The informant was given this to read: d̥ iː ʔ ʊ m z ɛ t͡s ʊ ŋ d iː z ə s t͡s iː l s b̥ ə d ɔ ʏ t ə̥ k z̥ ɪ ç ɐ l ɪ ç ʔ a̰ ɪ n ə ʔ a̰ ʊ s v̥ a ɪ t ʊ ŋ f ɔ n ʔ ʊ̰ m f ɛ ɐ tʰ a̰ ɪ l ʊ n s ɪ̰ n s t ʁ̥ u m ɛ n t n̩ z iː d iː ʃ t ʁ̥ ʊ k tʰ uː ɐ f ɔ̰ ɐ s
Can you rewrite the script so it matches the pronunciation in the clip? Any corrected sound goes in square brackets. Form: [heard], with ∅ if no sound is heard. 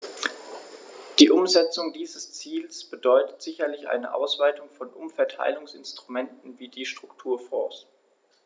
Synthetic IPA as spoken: d̥ iː ʔ ʊ m z ɛ t͡s ʊ ŋ d iː z ə s t͡s iː l s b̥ ə d ɔ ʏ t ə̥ [t] z̥ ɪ ç ɐ l ɪ ç ʔ a̰ ɪ n ə ʔ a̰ ʊ s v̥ a ɪ t ʊ ŋ f ɔ n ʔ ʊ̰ m f ɛ ɐ tʰ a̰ ɪ l ʊ [ŋ] s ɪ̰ n s t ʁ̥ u m ɛ n t n̩ [v] iː d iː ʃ t ʁ̥ ʊ k tʰ uː ɐ f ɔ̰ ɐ s